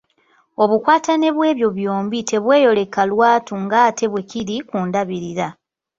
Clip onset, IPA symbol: o̞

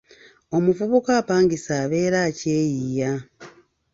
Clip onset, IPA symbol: o̞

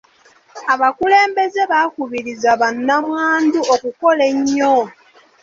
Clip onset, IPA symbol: a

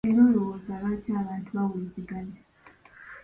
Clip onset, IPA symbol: e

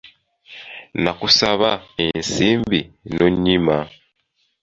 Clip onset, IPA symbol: n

